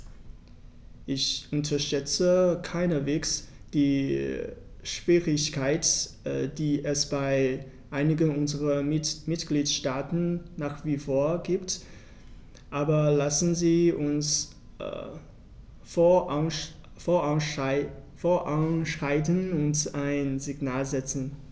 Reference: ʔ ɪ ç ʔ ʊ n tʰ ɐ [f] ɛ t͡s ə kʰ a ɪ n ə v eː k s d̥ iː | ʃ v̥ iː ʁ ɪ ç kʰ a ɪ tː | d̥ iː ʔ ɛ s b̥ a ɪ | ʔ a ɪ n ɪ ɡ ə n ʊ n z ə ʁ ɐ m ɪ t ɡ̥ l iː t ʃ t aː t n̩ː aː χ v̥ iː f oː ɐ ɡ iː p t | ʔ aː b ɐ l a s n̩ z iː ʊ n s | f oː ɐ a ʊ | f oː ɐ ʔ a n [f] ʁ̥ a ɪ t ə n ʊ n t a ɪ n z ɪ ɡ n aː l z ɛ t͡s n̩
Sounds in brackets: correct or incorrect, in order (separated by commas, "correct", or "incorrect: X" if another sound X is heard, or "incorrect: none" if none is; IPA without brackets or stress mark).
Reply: incorrect: ʃ, incorrect: ʃ